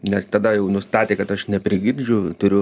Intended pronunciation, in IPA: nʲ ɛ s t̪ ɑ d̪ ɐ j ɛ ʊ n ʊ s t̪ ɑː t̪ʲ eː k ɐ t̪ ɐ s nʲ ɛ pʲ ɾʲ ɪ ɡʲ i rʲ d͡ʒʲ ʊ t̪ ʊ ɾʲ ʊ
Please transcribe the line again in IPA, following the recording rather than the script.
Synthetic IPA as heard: nʲ ɛ s t̪ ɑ d̪ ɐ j ɛ ʊ n ʊ s t̪ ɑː t̪ʲ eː k ɐ t̪ ɐ ʃ nʲ ɛ pʲ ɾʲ ɪ ɡʲ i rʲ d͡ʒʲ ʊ t̪ ʊ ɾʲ ʊ